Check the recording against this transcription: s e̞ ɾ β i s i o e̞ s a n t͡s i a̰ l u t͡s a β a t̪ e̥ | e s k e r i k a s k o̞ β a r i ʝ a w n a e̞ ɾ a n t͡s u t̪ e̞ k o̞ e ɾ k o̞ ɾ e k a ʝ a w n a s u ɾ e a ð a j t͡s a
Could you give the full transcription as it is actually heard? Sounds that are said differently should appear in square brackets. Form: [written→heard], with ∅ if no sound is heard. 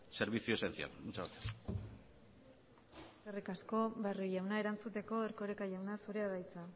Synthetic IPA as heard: s e̞ ɾ β i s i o e̞ s [a→e] n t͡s i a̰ l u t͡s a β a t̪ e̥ | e s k e r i k a s k o̞ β a r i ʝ a w n a e̞ ɾ a n t͡s u t̪ e̞ k o̞ e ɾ k o̞ ɾ e k a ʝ a w n a s u ɾ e a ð a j t͡s a